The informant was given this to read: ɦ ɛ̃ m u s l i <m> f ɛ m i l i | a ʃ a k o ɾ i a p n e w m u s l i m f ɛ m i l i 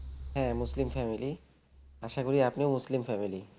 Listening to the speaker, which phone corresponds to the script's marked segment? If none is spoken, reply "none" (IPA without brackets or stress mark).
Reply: m